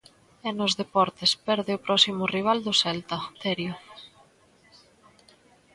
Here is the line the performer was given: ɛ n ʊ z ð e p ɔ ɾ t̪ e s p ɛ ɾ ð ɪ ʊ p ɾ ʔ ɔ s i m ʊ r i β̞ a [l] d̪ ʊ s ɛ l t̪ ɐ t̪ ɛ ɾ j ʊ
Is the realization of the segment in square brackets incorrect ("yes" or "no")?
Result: no